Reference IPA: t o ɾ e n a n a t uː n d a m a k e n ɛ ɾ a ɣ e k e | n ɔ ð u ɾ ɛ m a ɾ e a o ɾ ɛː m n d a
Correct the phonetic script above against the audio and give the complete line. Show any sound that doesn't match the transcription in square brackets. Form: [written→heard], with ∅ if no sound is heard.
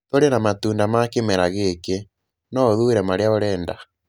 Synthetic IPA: t o ɾ e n a [n→m] a t uː n d a m a k e [n→m] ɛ ɾ a ɣ e k e | n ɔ ð u ɾ ɛ m a ɾ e a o ɾ ɛː [m→∅] n d a